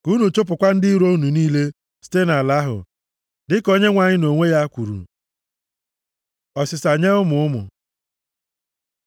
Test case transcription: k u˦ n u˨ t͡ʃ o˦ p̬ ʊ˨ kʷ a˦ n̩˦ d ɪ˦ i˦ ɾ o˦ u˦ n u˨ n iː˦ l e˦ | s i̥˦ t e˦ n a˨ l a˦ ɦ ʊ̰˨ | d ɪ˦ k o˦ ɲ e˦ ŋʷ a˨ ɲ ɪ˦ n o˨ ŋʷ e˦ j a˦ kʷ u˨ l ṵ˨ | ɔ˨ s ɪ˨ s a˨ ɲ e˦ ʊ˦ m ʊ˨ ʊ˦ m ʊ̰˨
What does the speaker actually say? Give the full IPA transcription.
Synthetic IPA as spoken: k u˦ n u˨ t͡ʃ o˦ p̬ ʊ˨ kʷ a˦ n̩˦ d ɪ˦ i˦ ɾ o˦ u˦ n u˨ n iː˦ l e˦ | s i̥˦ t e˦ n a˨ l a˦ ɦ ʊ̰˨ | d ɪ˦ k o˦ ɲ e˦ ŋʷ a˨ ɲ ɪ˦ n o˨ ŋʷ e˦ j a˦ kʷ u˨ ɾ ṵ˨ | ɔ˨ s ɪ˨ s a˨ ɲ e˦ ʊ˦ m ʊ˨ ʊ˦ m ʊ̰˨